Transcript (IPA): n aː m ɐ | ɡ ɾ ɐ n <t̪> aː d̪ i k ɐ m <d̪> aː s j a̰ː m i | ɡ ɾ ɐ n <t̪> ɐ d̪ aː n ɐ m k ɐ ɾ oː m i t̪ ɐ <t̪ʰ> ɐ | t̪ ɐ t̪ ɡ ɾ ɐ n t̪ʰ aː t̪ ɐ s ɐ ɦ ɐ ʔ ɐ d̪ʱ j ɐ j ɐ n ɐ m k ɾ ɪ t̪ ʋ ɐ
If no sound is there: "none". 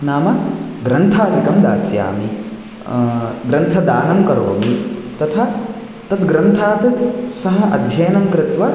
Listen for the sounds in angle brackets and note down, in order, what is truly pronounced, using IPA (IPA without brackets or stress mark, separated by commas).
t̪ʰ, d̪, t̪ʰ, t̪ʰ